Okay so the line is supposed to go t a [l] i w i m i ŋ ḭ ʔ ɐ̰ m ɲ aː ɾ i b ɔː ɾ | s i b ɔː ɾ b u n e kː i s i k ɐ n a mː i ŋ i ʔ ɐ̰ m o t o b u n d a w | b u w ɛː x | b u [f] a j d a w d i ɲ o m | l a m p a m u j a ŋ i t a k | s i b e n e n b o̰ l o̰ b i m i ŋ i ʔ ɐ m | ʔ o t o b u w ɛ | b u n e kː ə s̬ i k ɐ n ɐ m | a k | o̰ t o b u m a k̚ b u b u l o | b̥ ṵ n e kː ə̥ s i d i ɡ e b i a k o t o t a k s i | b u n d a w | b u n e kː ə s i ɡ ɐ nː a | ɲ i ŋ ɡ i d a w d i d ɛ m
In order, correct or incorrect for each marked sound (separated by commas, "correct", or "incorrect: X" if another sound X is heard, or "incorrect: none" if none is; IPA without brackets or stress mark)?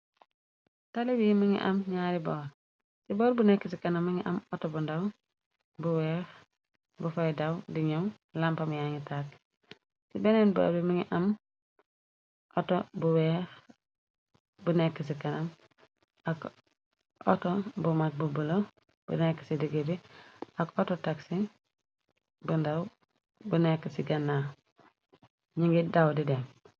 correct, correct